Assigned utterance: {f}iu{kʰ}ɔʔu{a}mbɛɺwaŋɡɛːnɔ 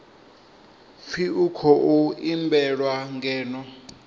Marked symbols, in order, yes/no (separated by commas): yes, yes, no